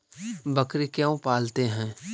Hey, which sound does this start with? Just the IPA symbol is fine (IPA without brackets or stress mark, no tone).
b